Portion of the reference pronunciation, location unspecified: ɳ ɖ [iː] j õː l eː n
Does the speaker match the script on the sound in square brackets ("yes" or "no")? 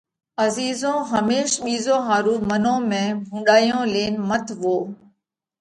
no